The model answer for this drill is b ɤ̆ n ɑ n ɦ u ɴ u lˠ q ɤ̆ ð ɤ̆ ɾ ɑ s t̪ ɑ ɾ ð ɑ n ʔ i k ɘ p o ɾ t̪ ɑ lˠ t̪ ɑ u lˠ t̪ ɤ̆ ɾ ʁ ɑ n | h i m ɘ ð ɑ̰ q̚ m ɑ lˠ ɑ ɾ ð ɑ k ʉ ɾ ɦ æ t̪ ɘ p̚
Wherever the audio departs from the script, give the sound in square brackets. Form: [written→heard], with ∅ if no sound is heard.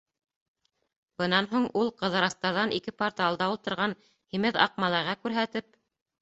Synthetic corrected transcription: b ɤ̆ n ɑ n ɦ u ɴ u lˠ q ɤ̆ ð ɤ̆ ɾ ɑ s t̪ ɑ ɾ ð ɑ n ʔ i k ɘ p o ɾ t̪ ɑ lˠ [t̪→d̪] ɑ u lˠ t̪ ɤ̆ ɾ ʁ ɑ n | h i m ɘ ð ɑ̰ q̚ m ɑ lˠ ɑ ɾ [ð→ʁ] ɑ k ʉ ɾ ɦ æ t̪ ɘ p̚